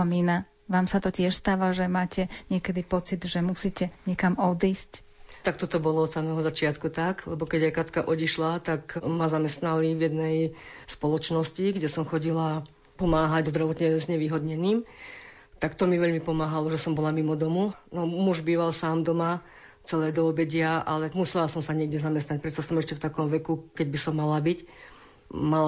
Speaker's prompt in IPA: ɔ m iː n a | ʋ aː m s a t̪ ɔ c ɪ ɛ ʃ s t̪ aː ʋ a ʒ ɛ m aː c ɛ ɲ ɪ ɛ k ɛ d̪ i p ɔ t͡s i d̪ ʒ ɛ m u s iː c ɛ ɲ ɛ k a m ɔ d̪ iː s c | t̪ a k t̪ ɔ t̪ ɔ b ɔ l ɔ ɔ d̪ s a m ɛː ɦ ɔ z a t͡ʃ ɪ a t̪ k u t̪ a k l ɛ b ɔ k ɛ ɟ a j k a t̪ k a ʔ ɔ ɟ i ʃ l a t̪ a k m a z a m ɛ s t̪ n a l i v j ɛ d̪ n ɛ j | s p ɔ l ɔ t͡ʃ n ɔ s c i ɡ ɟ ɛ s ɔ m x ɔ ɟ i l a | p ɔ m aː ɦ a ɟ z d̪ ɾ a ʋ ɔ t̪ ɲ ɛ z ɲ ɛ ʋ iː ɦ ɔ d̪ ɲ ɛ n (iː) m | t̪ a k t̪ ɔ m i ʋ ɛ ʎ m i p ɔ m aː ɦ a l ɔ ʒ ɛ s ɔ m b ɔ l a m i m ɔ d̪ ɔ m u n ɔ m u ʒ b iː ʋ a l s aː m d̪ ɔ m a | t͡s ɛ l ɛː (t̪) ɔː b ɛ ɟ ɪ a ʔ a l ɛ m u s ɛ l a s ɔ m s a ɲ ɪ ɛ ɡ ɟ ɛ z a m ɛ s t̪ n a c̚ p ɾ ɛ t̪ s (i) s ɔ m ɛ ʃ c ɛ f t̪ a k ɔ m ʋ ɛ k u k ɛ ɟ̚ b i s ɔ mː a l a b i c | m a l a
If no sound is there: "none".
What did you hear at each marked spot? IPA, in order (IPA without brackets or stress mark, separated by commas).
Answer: iː, d̪, a